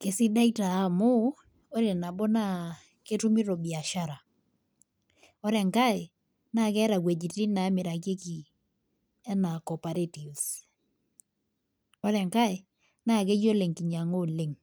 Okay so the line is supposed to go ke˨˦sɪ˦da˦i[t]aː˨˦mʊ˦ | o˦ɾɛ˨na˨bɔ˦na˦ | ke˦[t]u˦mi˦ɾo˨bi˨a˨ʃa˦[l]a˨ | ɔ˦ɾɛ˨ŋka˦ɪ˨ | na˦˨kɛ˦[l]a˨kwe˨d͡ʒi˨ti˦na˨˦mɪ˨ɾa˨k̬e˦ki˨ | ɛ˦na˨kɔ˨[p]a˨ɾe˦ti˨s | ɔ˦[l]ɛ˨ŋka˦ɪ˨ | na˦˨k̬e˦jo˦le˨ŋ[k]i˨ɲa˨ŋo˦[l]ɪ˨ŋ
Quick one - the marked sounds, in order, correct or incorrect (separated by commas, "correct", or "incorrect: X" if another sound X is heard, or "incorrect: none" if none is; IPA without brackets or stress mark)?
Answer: correct, correct, incorrect: ɾ, incorrect: ɾ, correct, incorrect: ɾ, correct, correct